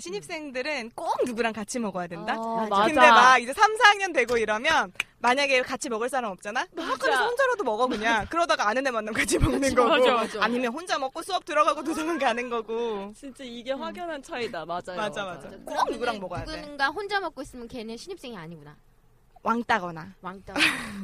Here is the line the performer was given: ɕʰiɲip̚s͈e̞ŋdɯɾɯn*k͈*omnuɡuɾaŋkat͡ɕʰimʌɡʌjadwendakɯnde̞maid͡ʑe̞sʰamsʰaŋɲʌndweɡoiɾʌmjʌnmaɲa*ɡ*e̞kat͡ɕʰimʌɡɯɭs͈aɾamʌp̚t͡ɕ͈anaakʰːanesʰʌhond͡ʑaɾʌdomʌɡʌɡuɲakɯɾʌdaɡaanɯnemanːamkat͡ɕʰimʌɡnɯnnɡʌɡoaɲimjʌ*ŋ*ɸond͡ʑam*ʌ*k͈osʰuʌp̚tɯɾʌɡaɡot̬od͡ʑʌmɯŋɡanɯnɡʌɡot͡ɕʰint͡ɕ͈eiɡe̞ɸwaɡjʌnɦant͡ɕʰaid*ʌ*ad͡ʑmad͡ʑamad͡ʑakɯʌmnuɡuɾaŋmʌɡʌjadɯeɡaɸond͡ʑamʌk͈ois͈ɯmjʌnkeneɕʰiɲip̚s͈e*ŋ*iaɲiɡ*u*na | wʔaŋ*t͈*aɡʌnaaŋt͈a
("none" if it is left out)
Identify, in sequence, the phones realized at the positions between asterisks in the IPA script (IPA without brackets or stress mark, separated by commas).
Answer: k͈, ɡ, n, ʌ, a, ŋ, u, t͈